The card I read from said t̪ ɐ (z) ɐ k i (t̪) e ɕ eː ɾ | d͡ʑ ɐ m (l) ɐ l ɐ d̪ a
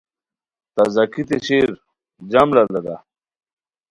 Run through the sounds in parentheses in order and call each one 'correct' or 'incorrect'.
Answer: correct, correct, correct

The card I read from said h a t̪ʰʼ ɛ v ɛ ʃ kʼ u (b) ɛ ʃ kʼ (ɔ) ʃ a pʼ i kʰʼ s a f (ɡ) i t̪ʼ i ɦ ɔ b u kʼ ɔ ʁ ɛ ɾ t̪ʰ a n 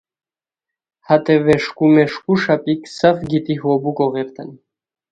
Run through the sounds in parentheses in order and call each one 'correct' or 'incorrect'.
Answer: incorrect, incorrect, correct

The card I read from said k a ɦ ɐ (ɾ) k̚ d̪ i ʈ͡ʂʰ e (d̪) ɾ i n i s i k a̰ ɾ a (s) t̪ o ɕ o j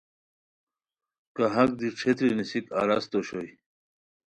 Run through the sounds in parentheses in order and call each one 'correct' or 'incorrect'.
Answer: incorrect, incorrect, correct

